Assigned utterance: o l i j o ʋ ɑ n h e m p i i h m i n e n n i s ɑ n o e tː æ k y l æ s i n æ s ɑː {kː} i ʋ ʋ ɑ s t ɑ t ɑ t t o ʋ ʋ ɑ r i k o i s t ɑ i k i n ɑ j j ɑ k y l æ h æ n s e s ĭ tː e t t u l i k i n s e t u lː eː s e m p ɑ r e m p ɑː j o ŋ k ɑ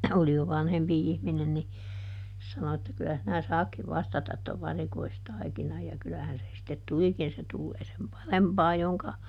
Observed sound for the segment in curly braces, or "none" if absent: kː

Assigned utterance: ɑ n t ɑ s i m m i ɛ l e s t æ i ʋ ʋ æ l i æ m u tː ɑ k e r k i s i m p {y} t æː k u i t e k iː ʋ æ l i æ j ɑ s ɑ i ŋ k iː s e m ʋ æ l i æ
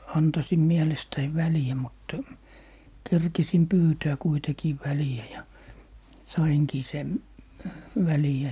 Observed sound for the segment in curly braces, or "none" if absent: yː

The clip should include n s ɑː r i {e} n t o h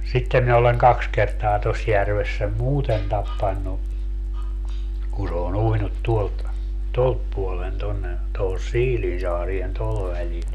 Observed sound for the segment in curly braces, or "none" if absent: e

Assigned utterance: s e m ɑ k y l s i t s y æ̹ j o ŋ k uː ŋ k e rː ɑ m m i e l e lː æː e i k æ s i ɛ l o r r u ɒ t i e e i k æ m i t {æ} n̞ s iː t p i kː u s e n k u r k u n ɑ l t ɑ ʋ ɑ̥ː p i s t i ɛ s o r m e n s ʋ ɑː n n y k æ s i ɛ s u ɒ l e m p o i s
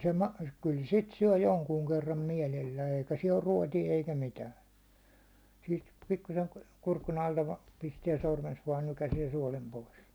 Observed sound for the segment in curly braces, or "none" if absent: æː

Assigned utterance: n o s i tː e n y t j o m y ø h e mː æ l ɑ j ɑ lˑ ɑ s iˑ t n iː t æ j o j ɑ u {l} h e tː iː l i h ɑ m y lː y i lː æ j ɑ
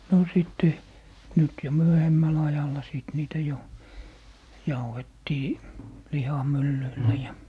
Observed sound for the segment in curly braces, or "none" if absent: none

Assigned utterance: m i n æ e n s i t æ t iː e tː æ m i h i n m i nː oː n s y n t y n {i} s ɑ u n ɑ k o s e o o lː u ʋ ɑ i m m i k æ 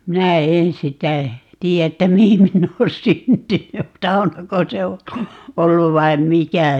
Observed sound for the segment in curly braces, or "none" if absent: y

